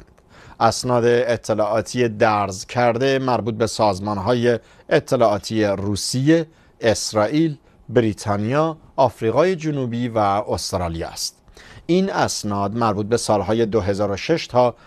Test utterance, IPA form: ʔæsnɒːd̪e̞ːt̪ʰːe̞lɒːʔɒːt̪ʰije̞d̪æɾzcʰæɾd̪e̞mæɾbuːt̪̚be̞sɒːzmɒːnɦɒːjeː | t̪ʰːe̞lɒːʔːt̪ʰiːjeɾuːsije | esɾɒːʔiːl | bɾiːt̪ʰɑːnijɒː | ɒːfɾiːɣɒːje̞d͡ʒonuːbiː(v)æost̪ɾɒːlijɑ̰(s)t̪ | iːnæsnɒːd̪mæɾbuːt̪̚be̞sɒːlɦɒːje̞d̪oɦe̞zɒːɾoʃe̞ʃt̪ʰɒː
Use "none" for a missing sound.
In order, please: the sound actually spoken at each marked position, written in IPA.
v, s

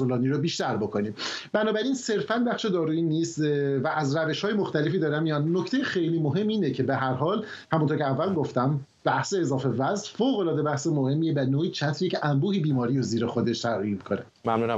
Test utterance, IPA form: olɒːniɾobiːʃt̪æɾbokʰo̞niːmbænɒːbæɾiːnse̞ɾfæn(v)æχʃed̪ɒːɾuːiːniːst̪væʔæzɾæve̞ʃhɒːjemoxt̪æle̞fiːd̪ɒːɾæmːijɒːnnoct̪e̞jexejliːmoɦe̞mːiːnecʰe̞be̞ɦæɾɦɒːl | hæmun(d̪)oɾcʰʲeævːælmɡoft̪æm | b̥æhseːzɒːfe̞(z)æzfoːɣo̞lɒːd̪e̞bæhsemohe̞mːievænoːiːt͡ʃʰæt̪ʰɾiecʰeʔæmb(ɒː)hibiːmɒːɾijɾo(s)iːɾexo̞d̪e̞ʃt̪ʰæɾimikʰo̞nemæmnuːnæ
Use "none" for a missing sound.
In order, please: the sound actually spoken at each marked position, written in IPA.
b, t̪, v, uː, z

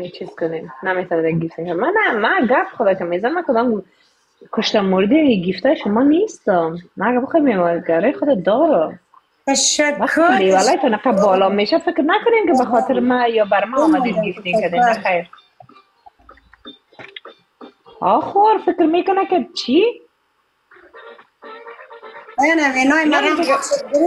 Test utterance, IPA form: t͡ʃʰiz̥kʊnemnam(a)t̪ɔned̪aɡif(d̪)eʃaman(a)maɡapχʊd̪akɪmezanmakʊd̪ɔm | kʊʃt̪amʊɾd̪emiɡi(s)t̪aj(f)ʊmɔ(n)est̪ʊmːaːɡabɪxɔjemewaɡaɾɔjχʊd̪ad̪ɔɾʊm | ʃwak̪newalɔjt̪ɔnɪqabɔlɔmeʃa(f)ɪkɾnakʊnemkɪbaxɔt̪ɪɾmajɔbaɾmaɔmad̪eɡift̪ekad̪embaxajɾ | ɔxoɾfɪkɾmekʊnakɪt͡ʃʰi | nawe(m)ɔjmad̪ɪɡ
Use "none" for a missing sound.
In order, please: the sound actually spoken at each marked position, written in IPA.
e, t̪, a, f, ʃ, n, f, n

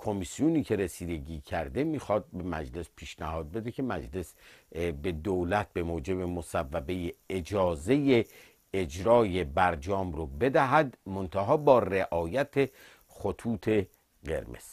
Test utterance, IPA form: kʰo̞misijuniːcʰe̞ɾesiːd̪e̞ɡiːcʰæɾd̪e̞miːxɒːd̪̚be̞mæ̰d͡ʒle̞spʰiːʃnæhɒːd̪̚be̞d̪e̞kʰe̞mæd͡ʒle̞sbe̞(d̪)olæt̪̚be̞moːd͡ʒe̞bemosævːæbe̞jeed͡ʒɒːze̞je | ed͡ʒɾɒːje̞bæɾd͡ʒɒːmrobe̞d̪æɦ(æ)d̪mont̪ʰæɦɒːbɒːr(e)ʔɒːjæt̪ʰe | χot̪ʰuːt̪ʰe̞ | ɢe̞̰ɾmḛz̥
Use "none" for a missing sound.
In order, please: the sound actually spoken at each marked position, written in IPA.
d̪, æ, e

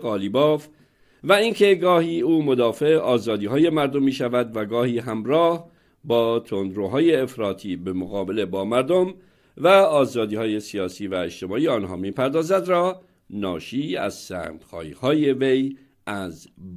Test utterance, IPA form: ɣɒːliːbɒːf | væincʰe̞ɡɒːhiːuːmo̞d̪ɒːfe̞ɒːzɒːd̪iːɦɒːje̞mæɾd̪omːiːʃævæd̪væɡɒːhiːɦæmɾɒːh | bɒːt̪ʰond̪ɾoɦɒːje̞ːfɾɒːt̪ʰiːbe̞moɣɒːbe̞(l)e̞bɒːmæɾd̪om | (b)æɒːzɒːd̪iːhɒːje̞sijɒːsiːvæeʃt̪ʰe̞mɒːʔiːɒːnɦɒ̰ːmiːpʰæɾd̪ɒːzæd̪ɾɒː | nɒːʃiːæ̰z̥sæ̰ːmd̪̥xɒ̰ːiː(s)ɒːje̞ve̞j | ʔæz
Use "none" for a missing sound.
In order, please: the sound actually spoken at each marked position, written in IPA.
l, v, h

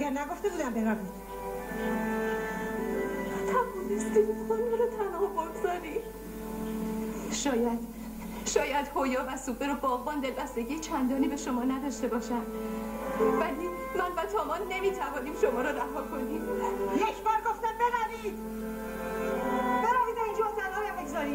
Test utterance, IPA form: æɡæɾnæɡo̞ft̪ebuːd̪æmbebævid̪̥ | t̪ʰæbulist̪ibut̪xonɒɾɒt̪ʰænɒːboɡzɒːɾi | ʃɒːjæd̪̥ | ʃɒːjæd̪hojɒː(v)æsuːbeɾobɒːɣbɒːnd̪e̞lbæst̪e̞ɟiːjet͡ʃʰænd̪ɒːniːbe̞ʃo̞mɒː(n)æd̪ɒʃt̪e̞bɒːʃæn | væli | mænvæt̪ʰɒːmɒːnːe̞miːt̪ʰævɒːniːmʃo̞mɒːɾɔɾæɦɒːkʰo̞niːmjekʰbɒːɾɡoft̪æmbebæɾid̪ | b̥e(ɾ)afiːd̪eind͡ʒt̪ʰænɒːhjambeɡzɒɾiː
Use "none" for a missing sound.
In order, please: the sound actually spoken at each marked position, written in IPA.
v, n, ɾ

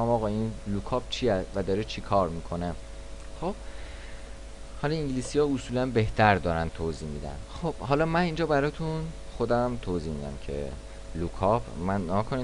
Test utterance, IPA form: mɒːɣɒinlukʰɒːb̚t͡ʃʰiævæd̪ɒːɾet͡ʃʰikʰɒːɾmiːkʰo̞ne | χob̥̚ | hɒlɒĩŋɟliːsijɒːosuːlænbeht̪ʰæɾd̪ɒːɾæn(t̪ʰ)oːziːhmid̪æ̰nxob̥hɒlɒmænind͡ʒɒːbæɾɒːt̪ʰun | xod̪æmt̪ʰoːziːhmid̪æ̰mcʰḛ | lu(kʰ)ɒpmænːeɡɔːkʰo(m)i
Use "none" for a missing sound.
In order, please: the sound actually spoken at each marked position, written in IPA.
t̪ʰ, kʰ, n

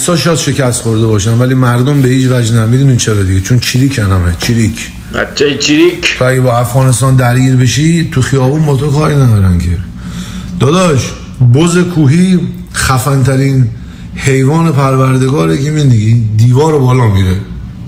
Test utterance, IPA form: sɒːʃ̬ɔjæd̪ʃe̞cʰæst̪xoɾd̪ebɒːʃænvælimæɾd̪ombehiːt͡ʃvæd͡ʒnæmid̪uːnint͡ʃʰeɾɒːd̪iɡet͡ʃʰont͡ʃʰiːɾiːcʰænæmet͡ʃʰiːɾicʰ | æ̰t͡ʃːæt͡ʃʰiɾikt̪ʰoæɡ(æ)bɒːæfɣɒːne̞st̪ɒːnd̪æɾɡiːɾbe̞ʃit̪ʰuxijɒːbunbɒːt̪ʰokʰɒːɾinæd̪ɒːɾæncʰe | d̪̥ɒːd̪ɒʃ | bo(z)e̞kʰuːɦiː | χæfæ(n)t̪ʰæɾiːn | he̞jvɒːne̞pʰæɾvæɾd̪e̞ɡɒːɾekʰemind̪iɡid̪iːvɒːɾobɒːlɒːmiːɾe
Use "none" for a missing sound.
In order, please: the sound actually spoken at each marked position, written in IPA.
e, z, n

